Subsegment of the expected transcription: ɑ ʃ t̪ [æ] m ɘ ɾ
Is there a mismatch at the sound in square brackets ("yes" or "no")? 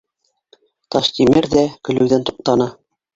yes